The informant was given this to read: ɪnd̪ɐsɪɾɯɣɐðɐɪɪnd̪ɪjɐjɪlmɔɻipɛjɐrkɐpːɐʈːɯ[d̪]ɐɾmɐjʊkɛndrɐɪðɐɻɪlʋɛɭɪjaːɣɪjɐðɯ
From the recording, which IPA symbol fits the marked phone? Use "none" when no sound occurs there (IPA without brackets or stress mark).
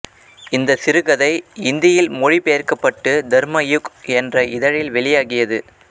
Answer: d̪